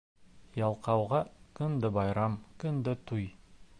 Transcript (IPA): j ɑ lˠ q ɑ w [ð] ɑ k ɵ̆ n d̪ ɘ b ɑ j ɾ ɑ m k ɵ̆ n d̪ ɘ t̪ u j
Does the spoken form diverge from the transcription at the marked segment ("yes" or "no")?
yes